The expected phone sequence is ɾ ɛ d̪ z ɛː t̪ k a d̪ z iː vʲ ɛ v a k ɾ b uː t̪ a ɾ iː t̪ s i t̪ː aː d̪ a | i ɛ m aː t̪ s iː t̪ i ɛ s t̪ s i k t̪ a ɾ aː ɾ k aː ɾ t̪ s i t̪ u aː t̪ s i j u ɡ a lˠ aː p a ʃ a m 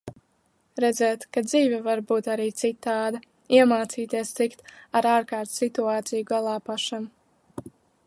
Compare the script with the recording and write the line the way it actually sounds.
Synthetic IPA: ɾ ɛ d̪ z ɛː t̪ k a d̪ z iː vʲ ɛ v a ɾ b uː t̪ a ɾ iː t̪ s i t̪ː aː d̪ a | i ɛ m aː t̪ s iː t̪ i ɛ s t̪ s i k t̪ a ɾ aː ɾ k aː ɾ t̪ s i t̪ u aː t̪ s i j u ɡ a lˠ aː p a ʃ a m